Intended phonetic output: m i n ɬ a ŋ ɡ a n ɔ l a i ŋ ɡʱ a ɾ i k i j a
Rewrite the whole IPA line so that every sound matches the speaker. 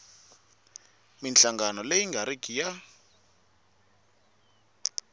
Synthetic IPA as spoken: m i n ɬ a ŋ ɡ a n ɔ l e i ŋ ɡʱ a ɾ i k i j a